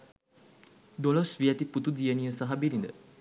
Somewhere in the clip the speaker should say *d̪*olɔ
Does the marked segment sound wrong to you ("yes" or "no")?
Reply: no